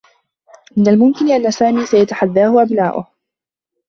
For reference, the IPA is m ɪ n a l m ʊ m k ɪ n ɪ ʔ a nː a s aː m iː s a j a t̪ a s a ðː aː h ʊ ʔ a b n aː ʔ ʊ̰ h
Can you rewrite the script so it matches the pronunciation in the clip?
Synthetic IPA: m ɪ n a l m ʊ m k ɪ n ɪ ʔ a nː a s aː m iː s a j a t̪ a ħ a ðː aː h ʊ ʔ a b n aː ʔ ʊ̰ h